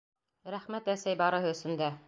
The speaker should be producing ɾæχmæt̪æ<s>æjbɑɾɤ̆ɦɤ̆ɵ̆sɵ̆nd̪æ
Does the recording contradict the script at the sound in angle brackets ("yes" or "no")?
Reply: no